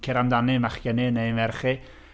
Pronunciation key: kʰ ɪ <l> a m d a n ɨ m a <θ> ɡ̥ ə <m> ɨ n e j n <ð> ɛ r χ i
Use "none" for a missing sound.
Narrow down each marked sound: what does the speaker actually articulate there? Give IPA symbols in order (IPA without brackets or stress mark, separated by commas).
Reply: ɾ, χ, n, v